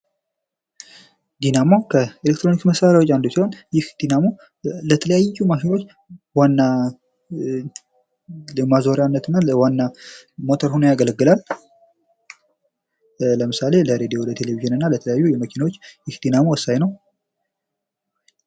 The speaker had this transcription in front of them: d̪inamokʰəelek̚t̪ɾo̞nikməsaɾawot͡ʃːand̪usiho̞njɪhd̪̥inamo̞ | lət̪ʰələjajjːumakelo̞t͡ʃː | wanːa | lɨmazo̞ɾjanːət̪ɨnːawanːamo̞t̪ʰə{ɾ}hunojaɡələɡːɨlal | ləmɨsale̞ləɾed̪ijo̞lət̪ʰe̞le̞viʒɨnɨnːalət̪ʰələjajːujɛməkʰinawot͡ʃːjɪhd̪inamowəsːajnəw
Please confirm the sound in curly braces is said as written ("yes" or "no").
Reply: yes